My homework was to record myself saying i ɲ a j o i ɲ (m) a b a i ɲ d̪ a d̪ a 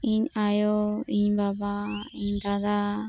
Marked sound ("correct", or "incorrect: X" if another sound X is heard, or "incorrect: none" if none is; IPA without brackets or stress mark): incorrect: b